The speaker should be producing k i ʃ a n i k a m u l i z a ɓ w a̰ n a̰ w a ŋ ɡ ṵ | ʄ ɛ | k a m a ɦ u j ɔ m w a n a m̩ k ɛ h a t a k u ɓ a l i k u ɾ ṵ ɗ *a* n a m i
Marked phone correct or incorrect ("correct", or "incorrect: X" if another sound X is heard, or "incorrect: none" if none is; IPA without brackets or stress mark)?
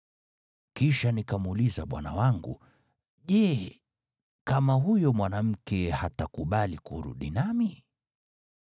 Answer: incorrect: i